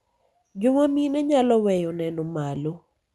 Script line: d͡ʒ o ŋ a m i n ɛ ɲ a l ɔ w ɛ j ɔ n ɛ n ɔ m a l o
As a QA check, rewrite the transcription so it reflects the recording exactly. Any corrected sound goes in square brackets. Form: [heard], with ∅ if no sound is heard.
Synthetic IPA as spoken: d͡ʒ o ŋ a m i n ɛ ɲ a l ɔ w ɛ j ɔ n ɛ n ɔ m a l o